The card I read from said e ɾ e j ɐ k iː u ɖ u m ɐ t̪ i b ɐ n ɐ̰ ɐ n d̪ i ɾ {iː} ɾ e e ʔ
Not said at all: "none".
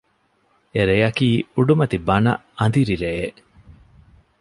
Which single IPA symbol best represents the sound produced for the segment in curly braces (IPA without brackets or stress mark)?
i